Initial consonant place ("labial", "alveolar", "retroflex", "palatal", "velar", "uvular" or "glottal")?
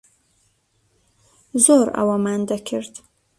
alveolar